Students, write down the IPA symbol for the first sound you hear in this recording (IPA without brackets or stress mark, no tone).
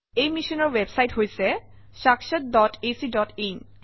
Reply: e